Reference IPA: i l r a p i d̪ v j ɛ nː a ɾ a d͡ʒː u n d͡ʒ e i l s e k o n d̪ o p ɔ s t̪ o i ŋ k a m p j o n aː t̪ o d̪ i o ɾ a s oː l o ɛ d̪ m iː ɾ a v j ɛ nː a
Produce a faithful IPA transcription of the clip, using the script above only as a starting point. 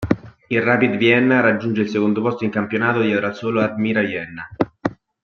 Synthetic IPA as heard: i l r a p i d̪ v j ɛ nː a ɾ a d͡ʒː u n d͡ʒ e i l s e k o n d̪ o p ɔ s t̪ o i ŋ k a m p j o n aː t̪ o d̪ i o ɾ a s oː l o a d̪ m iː ɾ a v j ɛ nː a